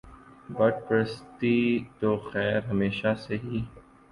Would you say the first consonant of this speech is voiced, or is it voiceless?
voiced